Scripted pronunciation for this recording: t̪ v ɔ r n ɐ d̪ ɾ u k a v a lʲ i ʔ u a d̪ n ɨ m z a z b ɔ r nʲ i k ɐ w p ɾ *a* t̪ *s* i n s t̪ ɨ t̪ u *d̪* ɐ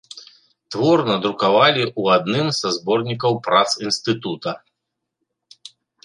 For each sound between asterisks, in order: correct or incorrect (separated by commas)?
correct, correct, incorrect